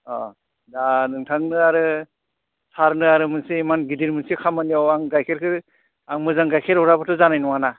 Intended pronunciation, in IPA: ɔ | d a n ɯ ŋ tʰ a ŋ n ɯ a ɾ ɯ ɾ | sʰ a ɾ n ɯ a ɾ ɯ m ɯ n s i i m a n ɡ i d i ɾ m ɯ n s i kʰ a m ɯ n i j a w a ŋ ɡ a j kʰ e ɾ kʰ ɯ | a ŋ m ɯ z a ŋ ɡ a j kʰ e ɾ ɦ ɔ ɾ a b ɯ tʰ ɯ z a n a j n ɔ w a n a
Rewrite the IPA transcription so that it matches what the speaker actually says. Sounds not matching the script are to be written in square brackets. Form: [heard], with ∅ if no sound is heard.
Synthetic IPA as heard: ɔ | d a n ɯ ŋ tʰ a ŋ n ɯ a ɾ ɯ [∅] | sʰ a ɾ n ɯ a ɾ ɯ m ɯ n s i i m a n ɡ i d i ɾ m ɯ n s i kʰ a m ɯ n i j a w a ŋ ɡ a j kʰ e ɾ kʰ ɯ | a ŋ m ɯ z a ŋ ɡ a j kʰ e ɾ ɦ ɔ ɾ a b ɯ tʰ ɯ z a n a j n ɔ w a n a